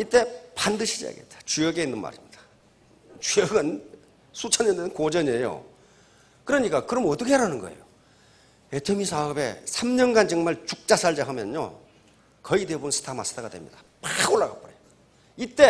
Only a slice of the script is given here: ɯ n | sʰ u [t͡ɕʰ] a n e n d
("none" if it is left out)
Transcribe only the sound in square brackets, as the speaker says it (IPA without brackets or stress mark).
t͡ɕʰ